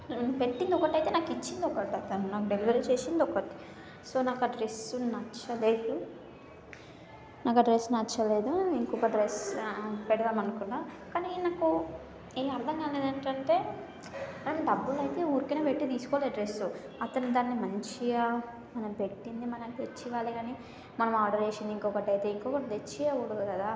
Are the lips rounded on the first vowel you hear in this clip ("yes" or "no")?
no